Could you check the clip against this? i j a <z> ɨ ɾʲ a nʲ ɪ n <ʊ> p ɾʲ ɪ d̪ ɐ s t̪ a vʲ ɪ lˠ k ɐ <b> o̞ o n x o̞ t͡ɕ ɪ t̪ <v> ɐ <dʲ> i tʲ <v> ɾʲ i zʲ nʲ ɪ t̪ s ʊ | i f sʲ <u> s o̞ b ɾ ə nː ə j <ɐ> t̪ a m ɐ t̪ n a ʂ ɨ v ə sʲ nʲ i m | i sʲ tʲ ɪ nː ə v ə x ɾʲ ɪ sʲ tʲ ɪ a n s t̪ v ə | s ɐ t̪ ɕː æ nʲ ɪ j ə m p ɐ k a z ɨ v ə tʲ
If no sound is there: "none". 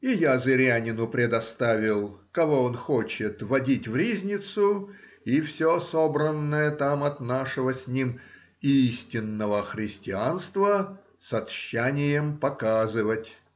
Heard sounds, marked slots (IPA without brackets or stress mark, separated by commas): z, ʊ, v, v, dʲ, v, o, ə